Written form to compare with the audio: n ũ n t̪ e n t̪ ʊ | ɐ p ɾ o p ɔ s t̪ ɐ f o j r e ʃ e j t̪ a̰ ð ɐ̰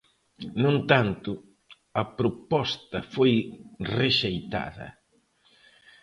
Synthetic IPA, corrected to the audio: n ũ n t̪ a n t̪ ʊ | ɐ p ɾ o p ɔ s t̪ ɐ f o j r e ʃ e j t̪ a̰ ð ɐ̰